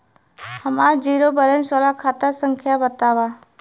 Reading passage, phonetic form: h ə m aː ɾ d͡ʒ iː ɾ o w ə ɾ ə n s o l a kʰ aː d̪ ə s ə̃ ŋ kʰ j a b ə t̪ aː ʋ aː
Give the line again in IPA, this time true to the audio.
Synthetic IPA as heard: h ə m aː ɾ d͡ʒ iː ɾ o b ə ɾ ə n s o l a kʰ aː t̪ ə s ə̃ ŋ kʰ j a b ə t̪ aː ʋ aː